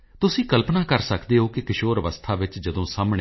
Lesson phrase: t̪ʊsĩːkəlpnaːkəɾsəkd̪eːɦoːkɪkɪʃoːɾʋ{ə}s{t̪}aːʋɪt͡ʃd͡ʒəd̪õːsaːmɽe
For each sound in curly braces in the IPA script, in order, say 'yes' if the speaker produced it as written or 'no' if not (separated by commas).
yes, no